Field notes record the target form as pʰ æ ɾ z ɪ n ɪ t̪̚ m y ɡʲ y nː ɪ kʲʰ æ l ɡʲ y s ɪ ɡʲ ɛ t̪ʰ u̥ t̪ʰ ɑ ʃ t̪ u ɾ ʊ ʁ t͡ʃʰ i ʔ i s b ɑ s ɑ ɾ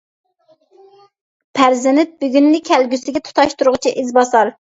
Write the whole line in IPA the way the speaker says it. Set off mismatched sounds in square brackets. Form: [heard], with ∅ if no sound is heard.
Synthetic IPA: pʰ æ ɾ z ɪ n ɪ t̪̚ [b] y ɡʲ y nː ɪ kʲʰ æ l ɡʲ y s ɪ ɡʲ ɛ t̪ʰ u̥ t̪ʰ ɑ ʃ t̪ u ɾ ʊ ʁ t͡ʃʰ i ʔ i [z] b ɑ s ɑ ɾ